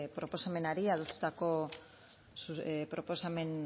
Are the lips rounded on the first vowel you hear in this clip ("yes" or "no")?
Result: yes